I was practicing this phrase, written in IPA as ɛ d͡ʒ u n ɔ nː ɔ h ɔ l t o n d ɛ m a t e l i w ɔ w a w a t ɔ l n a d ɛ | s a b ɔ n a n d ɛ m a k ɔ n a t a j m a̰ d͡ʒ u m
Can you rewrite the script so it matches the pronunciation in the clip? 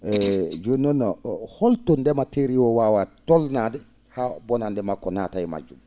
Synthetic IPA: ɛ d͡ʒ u n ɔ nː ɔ h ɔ l t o n d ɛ m a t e ɾ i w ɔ w a w a t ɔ l n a d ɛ | h a b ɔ n a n d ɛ m a k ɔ n a t a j m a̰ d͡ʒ u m